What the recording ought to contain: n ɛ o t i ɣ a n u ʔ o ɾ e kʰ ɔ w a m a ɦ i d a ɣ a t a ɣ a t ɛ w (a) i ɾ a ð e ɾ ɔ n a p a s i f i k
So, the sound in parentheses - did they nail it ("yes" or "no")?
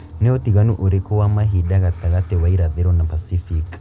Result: yes